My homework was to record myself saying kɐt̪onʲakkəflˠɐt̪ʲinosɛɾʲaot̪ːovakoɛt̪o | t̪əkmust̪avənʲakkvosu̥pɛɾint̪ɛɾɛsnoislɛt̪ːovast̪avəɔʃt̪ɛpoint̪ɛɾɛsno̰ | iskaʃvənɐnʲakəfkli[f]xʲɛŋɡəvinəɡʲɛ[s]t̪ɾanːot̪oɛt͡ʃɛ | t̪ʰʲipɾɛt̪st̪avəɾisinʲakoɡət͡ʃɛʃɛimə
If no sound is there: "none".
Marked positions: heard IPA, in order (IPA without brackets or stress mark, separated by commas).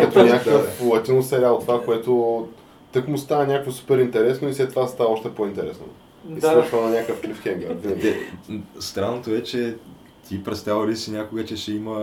f, s